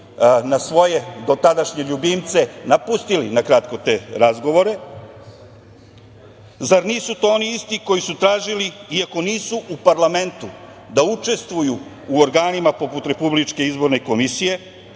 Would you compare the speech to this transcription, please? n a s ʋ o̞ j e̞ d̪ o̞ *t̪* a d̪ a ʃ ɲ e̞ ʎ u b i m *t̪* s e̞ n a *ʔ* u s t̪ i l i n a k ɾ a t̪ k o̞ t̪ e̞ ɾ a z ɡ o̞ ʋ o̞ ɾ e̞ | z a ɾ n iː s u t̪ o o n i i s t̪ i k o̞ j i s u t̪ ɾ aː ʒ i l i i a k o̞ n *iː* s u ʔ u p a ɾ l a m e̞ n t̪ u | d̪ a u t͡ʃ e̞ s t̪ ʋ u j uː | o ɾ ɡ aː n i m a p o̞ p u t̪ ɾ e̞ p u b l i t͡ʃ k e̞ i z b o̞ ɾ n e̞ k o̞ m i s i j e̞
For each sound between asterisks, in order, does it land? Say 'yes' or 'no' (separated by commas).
yes, yes, no, yes